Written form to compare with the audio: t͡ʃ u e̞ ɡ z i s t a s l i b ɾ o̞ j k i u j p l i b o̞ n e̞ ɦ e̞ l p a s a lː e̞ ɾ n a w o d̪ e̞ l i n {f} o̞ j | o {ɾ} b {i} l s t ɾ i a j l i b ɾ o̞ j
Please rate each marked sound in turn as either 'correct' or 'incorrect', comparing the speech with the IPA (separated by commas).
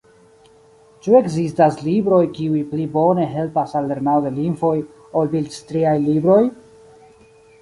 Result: correct, incorrect, correct